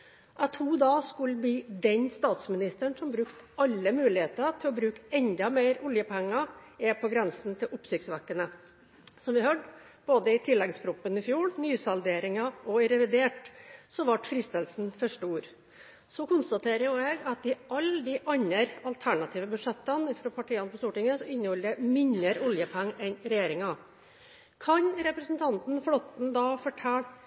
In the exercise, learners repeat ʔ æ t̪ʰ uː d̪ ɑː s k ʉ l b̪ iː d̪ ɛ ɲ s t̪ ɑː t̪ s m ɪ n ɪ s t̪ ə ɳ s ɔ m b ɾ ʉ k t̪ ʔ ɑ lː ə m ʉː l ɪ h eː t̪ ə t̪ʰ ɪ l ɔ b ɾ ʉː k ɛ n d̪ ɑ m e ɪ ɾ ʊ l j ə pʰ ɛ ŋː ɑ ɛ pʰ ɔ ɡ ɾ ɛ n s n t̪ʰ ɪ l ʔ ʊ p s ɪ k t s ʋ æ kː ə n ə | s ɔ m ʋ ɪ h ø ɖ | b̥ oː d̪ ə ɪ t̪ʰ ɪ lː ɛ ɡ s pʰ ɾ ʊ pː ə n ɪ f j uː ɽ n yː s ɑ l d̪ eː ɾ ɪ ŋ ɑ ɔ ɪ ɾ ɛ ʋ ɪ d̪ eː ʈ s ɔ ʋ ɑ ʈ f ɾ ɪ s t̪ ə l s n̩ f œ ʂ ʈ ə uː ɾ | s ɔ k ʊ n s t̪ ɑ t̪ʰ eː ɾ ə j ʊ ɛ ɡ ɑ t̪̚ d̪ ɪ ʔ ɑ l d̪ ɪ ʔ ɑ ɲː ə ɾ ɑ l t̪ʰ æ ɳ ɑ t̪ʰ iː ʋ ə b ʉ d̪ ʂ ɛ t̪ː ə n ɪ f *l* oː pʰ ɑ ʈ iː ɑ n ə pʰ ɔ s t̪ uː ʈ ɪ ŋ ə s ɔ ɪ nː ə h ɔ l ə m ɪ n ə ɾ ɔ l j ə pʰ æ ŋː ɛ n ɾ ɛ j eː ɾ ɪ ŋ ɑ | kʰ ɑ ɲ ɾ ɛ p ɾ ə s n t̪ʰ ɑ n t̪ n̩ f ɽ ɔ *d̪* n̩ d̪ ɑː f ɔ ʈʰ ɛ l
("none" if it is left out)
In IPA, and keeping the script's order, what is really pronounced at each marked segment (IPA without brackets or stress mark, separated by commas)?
ɾ, t̪